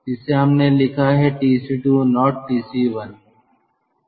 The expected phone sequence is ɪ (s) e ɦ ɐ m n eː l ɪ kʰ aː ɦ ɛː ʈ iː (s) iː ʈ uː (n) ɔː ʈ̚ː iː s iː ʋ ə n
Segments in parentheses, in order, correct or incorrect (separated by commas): correct, correct, correct